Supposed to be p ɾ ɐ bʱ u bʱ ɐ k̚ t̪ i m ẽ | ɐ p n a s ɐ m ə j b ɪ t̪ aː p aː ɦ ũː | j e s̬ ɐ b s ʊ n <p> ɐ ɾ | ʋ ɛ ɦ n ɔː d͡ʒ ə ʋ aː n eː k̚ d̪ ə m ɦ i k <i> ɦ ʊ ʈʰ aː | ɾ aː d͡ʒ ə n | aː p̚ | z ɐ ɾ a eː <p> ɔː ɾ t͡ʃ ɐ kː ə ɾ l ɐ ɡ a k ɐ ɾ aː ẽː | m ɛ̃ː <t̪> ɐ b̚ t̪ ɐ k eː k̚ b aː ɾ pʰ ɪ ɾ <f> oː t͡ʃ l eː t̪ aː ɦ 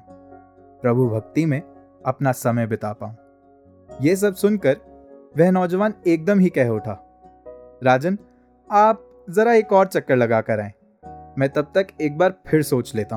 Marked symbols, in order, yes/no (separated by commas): no, no, no, yes, no